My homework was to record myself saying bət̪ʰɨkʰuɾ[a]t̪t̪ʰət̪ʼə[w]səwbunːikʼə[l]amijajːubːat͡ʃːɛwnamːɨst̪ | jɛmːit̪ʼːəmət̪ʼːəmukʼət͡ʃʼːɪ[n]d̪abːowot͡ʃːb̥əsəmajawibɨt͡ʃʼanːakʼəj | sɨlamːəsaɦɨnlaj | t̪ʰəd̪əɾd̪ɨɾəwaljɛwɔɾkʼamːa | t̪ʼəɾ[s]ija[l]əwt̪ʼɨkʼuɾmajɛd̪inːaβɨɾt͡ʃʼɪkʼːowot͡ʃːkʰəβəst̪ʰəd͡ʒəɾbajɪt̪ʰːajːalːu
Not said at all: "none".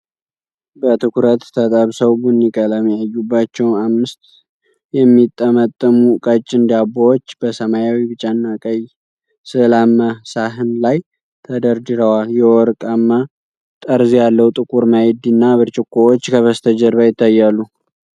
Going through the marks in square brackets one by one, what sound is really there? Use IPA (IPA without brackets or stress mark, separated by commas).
ə, β, l, n, z, lː